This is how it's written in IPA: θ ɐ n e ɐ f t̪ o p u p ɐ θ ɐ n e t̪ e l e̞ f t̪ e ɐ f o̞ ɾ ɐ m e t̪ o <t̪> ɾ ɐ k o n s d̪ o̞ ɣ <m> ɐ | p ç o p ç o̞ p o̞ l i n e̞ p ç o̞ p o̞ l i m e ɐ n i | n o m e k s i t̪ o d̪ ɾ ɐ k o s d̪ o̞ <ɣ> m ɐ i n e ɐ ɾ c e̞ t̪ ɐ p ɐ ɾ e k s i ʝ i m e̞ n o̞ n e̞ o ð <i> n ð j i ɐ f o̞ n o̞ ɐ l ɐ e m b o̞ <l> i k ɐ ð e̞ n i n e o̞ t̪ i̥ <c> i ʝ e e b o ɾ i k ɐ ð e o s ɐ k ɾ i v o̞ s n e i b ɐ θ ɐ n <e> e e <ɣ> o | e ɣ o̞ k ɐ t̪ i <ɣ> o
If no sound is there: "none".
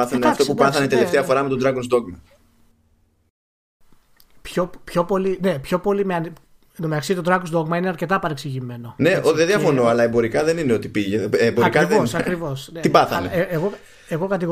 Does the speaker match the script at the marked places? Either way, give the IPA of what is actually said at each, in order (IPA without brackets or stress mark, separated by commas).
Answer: d̪, m, ɣ, e, ɾ, p, e, ɣ, ɣ